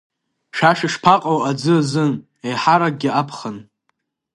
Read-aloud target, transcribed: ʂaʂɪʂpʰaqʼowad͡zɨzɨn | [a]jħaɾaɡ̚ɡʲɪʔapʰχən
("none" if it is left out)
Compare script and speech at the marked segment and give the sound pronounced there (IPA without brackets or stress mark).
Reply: e